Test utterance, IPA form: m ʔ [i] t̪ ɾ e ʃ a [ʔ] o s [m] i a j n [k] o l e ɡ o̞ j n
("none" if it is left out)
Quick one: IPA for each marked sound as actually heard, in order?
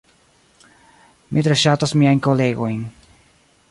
i, t, m, k

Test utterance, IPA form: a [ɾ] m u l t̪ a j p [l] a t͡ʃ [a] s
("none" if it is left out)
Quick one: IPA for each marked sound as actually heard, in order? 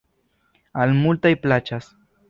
l, l, a

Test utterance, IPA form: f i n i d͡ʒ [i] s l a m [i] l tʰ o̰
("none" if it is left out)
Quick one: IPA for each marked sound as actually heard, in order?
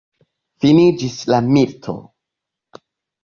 i, i

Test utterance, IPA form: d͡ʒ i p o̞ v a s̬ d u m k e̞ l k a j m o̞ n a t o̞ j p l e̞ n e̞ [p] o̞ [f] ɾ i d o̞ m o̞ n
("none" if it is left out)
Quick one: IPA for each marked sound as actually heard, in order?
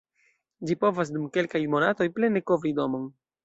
k, v

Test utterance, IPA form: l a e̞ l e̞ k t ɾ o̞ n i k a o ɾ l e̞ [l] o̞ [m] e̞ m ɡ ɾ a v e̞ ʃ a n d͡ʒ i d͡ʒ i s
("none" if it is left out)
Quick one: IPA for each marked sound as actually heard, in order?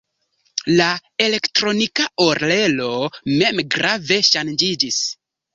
l, m

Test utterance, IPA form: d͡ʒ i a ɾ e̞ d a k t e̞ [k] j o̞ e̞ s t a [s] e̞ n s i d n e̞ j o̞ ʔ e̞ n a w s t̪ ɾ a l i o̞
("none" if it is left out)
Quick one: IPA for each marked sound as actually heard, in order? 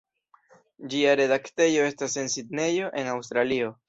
none, s

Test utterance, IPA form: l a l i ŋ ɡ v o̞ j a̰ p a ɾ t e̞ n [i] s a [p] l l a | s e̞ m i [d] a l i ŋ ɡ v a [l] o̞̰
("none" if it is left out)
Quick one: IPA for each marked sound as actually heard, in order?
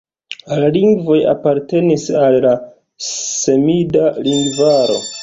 i, none, d, ɾ

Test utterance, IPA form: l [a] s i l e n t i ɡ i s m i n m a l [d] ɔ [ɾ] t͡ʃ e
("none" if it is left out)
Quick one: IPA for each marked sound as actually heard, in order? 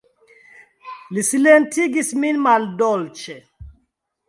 i, d, l

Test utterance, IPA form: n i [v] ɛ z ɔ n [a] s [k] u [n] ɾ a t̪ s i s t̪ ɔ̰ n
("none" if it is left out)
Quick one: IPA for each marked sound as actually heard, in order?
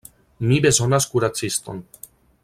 b, a, k, none

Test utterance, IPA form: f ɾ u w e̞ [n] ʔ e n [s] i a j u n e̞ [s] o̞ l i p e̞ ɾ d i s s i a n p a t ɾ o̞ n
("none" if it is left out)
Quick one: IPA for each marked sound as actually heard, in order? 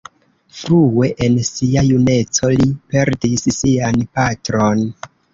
none, s, t͡s

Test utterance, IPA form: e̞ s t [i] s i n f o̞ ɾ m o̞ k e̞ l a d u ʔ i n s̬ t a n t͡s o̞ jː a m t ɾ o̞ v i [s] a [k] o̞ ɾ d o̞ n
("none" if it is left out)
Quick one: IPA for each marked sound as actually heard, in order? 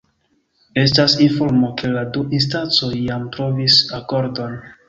a, s, k

